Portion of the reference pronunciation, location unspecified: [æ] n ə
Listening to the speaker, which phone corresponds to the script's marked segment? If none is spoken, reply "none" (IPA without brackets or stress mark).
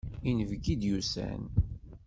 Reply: i